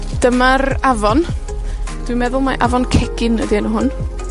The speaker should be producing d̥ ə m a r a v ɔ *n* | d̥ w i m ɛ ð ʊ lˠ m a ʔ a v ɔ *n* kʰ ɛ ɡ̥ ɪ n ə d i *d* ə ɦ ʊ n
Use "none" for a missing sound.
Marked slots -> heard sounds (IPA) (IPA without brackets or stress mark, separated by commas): n, n, n